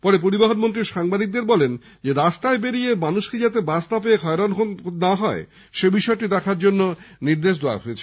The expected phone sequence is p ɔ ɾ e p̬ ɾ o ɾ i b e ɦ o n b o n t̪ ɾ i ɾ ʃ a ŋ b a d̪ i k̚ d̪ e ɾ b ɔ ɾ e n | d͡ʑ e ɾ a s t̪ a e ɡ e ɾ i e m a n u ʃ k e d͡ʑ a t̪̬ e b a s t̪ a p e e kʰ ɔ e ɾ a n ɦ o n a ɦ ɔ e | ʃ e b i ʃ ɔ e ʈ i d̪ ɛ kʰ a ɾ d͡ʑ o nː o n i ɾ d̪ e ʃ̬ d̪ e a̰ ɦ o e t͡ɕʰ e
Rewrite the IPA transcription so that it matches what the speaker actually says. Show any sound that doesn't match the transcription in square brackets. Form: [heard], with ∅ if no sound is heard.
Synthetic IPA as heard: p ɔ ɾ e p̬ ɾ o ɾ i b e ɦ o n [m] o n t̪ ɾ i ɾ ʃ a ŋ b a d̪ i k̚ d̪ e ɾ b ɔ [l] e n | d͡ʑ e ɾ a s t̪ a e [b] e ɾ i e m a n u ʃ k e d͡ʑ a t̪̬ e b a s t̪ a p e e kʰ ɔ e ɾ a n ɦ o n a ɦ ɔ e | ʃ e b i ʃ ɔ e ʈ i d̪ ɛ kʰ a ɾ d͡ʑ o nː o n i ɾ d̪ e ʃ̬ d̪ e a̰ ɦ o e t͡ɕʰ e